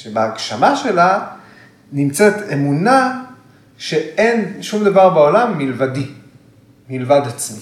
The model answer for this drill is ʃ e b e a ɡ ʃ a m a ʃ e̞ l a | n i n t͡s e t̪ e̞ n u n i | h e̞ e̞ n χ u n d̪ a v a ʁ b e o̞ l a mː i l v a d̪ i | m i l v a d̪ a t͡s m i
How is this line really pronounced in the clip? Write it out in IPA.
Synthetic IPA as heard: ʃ e b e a ɡ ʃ a m a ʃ e̞ l a | n i m t͡s e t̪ e̞ m u n a | ʃ e̞ e̞ n ʃ u m d̪ a v a ʁ b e o̞ l a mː i l v a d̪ i | m i l v a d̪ a t͡s m i